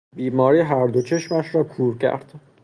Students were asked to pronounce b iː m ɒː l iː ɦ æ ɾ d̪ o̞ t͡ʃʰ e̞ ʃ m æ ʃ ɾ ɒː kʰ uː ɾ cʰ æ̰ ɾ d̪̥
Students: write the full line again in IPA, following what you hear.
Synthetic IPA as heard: b iː m ɒː ɾ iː ɦ æ ɾ d̪ o̞ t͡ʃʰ e̞ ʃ m æ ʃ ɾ ɒː kʰ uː ɾ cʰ æ̰ ɾ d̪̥